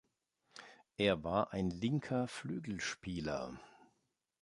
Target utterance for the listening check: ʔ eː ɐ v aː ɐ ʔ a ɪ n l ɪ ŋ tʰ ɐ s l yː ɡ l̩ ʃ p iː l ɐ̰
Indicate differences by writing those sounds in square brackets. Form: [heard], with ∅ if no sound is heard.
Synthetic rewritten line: ʔ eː ɐ v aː ɐ ʔ a ɪ n l ɪ ŋ [kʰ] ɐ [f] l yː ɡ l̩ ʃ p iː l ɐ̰

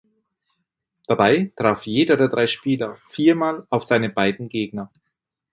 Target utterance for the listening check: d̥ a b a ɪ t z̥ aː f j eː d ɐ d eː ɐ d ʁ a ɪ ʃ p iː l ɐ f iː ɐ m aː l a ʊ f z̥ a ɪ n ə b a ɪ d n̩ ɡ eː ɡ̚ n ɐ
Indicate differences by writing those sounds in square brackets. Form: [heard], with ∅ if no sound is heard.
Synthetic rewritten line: d̥ a b a ɪ t [ʁ̥] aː f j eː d ɐ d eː ɐ d ʁ a ɪ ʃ p iː l ɐ f iː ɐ m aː l a ʊ f z̥ a ɪ n ə b a ɪ d n̩ ɡ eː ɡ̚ n ɐ

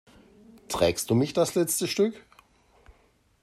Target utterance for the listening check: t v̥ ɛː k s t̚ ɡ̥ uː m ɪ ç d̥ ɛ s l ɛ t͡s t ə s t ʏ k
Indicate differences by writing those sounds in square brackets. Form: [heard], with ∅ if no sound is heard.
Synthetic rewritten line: t [ʁ̥] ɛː k s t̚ [d̥] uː m ɪ ç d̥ [a] s l ɛ t͡s t ə [ʃ] t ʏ k

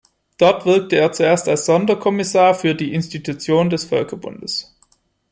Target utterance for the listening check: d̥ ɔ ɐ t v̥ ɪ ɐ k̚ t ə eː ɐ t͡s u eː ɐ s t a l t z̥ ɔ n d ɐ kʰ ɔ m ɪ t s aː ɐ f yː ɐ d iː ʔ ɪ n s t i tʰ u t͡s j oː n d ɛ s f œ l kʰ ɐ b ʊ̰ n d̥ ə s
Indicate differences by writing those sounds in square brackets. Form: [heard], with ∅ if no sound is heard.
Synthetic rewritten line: d̥ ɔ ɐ t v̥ ɪ ɐ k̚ t ə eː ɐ t͡s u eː ɐ s t a l [s] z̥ ɔ n d ɐ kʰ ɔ m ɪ [∅] s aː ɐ f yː ɐ d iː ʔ ɪ n s t i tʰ u t͡s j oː n d ɛ s f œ l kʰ ɐ b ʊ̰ n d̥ ə s

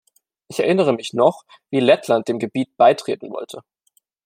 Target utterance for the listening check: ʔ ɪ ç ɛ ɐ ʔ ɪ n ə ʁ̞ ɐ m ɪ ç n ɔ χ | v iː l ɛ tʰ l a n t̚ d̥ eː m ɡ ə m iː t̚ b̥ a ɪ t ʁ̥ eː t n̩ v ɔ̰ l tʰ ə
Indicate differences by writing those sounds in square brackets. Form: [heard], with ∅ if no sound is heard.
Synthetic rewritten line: ʔ ɪ ç ɛ ɐ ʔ ɪ n ə ʁ̞ [ə] m ɪ ç n ɔ χ | v iː l ɛ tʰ l a n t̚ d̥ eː m ɡ ə [b] iː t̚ b̥ a ɪ t ʁ̥ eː t n̩ v ɔ̰ l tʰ ə

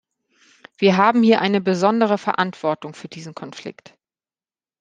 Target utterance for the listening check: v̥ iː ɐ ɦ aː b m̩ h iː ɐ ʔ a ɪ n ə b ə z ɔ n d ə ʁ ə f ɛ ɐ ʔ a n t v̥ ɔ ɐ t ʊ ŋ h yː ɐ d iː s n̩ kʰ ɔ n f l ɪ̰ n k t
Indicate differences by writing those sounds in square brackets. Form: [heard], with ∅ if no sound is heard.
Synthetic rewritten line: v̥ iː ɐ ɦ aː b m̩ h iː ɐ ʔ a ɪ n ə b ə z ɔ n d ə ʁ ə f ɛ ɐ ʔ a n t v̥ ɔ ɐ t ʊ ŋ [f] yː ɐ d iː [z] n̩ kʰ ɔ n f l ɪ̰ [∅] k t

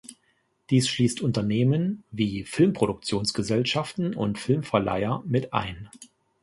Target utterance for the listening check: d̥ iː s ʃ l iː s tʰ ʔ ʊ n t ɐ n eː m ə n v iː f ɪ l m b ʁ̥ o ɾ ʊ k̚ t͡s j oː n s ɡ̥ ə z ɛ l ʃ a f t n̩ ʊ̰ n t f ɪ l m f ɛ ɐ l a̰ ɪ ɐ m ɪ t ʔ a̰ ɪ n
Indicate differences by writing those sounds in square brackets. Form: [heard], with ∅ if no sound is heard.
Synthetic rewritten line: d̥ iː s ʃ l iː s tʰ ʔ ʊ n t ɐ n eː m ə n v iː f ɪ l m [p] ʁ̥ o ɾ ʊ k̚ t͡s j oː n s ɡ̥ ə z ɛ l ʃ a f t n̩ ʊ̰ n t f ɪ l m f ɛ ɐ l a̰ ɪ ɐ m ɪ t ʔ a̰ ɪ n

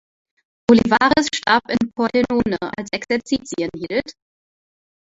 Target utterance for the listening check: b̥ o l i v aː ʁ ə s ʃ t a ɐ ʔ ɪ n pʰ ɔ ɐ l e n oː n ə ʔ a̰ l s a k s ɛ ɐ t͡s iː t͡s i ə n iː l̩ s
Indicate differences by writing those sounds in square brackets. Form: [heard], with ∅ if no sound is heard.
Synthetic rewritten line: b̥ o l i v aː ʁ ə s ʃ t a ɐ [p] ɪ n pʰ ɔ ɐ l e n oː n ə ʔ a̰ l s [ɛ] k s ɛ ɐ t͡s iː t͡s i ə n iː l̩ [t]

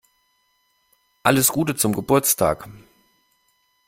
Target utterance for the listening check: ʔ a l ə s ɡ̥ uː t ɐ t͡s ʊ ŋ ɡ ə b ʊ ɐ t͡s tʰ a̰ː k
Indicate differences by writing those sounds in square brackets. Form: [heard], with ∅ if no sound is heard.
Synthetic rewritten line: ʔ a l ə s ɡ̥ uː t [ə] t͡s ʊ [m] ɡ ə b ʊ ɐ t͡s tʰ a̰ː k

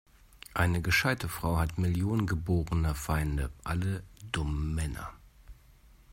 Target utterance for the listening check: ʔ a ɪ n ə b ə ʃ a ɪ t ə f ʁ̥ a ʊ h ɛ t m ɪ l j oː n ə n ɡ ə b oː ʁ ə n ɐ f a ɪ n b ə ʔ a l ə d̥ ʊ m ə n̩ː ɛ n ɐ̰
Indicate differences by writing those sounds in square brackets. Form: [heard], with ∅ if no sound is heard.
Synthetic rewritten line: ʔ a ɪ n ə [ɡ] ə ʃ a ɪ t ə f ʁ̥ a ʊ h [a] t m ɪ l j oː n ə n ɡ ə b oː ʁ ə n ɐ f a ɪ n [d] ə ʔ a l ə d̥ ʊ m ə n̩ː ɛ n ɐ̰

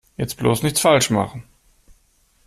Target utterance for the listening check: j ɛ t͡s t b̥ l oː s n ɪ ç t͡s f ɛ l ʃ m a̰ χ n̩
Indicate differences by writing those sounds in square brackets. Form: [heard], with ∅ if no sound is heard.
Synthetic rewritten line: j ɛ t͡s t b̥ l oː s n ɪ ç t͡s f [a] l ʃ m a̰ χ n̩

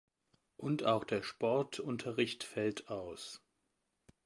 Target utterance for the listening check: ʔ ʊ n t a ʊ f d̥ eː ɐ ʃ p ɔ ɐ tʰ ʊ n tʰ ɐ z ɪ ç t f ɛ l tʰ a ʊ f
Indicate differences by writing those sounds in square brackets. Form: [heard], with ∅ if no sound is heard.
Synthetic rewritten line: ʔ ʊ n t a ʊ [x] d̥ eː ɐ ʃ p ɔ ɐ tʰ ʊ n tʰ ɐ [ʁ] ɪ ç t f ɛ l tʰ a ʊ [s]

